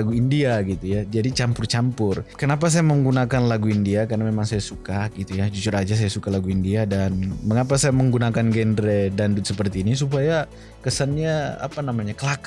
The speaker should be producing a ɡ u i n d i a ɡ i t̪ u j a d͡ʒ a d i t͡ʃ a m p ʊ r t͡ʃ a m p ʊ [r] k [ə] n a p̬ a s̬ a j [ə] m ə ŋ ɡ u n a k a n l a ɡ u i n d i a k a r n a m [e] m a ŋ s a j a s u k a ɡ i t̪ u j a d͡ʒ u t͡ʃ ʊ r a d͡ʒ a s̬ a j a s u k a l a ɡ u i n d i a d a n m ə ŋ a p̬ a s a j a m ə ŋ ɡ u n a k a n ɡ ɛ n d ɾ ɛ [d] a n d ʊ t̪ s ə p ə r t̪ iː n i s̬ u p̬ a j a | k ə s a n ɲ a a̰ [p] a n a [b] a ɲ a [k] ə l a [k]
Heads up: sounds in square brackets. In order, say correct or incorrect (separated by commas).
correct, correct, incorrect, correct, correct, correct, incorrect, correct, correct